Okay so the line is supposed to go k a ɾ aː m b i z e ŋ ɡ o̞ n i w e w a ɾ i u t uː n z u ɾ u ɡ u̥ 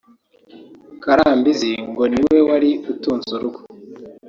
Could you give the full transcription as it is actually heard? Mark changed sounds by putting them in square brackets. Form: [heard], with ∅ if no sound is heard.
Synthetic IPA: k a ɾ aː m b i z [i] ŋ ɡ o̞ n i w e w a ɾ i u t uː n z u ɾ u ɡ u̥

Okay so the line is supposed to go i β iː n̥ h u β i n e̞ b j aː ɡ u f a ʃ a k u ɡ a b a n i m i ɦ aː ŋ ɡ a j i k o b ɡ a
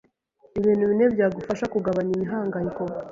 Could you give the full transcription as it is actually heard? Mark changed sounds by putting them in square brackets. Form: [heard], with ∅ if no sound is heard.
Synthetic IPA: i β iː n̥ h u β i n e̞ b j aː ɡ u f a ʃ a k u ɡ a [β] a [ɲ] i m i ɦ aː ŋ ɡ a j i k o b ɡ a

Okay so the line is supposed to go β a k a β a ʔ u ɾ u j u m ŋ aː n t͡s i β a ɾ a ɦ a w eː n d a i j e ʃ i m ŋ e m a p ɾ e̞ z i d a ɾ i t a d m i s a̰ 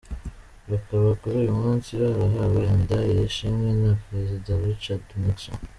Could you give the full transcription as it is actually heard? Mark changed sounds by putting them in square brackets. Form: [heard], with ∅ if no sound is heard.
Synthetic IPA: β a k a β a [k] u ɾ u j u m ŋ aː n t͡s i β a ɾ a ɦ a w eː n d a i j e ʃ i m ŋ e [n] a p ɾ e̞ z i d a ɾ i [t͡ʃ] a d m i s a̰

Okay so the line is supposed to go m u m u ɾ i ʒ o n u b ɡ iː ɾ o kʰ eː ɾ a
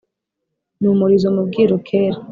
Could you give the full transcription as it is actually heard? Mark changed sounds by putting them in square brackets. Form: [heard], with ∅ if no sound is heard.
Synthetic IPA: [n] u m u ɾ i [z] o [m] u b ɡ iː ɾ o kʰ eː ɾ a

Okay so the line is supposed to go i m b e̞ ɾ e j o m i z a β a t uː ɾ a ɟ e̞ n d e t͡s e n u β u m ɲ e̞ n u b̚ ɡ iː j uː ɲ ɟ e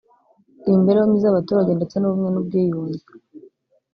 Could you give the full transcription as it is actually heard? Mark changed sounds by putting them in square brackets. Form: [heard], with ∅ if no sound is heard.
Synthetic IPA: i m b e̞ ɾ e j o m i z a β a t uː ɾ a ɟ e̞ n d e t͡s e n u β u m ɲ e̞ n u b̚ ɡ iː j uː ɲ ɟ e

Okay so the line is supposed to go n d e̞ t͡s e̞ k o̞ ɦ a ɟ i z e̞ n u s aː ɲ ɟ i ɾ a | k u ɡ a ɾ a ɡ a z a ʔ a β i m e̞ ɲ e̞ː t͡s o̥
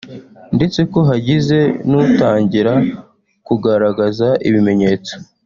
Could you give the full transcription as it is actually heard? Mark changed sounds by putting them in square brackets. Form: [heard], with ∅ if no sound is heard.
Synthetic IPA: n d e̞ t͡s e̞ k o̞ ɦ a ɟ i z e̞ n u [t] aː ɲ ɟ i ɾ a | k u ɡ a ɾ a ɡ a z a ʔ [i] β i m e̞ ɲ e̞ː t͡s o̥

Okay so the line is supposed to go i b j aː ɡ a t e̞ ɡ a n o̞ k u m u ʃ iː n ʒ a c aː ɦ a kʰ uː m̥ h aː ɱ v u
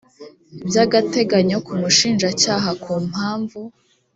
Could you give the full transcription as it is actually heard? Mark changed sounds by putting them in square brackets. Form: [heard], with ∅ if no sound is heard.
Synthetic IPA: i b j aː ɡ a t e̞ ɡ a [ɲ] o̞ k u m u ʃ iː n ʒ a c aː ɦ a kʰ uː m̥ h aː ɱ v u

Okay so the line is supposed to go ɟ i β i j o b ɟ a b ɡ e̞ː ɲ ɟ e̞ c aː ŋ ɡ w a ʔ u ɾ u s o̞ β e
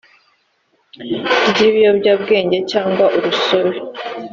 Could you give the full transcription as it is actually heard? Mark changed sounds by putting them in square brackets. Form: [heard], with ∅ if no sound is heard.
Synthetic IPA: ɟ i β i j o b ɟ a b ɡ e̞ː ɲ ɟ e̞ c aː ŋ ɡ w a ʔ u ɾ u s o̞ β e

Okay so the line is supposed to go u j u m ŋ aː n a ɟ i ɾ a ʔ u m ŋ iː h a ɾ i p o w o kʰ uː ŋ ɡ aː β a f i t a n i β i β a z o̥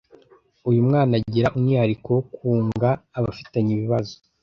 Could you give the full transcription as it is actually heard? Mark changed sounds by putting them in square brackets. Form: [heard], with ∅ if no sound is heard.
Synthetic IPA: u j u m ŋ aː n a ɟ i ɾ a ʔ u m ŋ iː h a ɾ i [k] o w o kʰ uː ŋ ɡ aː β a f i t a [ɲ] i β i β a z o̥

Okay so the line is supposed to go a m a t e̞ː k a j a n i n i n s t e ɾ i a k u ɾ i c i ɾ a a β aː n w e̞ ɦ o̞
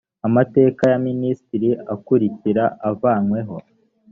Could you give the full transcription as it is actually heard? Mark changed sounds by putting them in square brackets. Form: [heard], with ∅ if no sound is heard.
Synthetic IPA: a m a t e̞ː k a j a [m] i n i [∅] s t [i] ɾ i a k u ɾ i c i ɾ a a [v] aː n w e̞ ɦ o̞

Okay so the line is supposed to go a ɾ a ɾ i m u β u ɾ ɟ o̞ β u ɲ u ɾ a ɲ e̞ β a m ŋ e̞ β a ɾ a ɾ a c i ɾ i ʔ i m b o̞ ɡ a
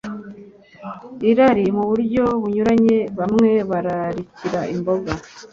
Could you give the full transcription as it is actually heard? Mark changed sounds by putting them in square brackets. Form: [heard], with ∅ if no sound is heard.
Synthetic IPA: [i] ɾ a ɾ i m u β u ɾ ɟ o̞ β u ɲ u ɾ a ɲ e̞ β a m ŋ e̞ β a ɾ a ɾ [i] c i ɾ [a] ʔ i m b o̞ ɡ a

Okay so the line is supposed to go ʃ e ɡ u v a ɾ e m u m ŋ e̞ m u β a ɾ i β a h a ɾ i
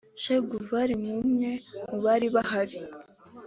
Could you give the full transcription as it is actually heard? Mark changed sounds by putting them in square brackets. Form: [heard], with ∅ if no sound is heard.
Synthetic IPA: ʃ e ɡ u v a ɾ [i] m u m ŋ e̞ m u β a ɾ i β a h a ɾ i

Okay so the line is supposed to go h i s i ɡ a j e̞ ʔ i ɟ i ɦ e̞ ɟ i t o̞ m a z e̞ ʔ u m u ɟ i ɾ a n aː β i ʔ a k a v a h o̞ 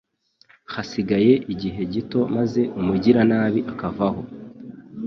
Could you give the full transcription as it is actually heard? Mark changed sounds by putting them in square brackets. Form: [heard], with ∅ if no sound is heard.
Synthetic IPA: h [a] s i ɡ a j e̞ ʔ i ɟ i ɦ e̞ ɟ i t o̞ m a z e̞ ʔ u m u ɟ i ɾ a n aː β i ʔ a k a v a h o̞

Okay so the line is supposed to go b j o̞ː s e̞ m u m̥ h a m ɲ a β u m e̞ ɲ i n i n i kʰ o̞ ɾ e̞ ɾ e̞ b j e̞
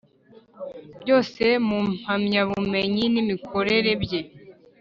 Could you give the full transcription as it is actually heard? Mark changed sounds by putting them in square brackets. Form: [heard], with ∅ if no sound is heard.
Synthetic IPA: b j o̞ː s e̞ m u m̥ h a m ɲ a β u m e̞ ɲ i n i [m] i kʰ o̞ ɾ e̞ ɾ e̞ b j e̞

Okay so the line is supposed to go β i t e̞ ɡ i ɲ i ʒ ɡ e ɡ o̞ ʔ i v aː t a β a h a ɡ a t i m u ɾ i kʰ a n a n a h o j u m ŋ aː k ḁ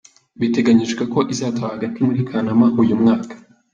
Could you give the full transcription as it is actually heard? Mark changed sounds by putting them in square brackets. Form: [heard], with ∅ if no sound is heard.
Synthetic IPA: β i t e̞ ɡ [a] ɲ i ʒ ɡ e [k] o̞ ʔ i [z] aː t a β a h a ɡ a t i m u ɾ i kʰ a n a [m] a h [u] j u m ŋ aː k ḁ

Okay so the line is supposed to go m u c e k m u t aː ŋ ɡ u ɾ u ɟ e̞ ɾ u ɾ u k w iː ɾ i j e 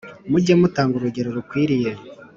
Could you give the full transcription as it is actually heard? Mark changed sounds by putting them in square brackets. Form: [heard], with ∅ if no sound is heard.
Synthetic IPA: m u [ɟ] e [∅] m u t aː ŋ ɡ u ɾ u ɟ e̞ ɾ [o] ɾ u k w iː ɾ i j e

